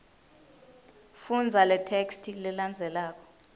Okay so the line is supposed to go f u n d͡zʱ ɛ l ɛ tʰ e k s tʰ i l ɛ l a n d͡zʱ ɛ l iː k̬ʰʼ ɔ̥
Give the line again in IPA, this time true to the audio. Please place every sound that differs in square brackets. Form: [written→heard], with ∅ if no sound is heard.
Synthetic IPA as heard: f u n d͡zʱ [ɛ→a] l ɛ tʰ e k s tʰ i l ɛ l a n d͡zʱ ɛ l [iː→aː] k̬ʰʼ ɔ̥